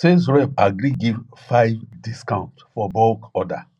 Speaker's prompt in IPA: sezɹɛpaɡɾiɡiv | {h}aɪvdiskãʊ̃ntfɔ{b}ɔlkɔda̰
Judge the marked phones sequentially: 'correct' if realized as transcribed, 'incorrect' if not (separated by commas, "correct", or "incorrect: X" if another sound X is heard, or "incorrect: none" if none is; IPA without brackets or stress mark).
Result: incorrect: f, correct